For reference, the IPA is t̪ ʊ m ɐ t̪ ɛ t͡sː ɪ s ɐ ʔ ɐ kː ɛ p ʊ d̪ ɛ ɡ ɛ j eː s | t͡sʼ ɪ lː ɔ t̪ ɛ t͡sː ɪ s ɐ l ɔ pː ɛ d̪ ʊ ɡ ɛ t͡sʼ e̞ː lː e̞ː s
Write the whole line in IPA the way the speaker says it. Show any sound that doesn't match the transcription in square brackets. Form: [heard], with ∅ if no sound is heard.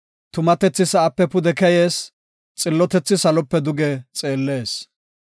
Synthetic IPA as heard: t̪ ʊ m ɐ t̪ ɛ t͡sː ɪ s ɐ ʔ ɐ [pː] ɛ p ʊ d̪ ɛ [k] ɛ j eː s | t͡sʼ ɪ lː ɔ t̪ ɛ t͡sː ɪ s ɐ l ɔ pː ɛ d̪ ʊ ɡ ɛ t͡sʼ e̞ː lː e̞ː s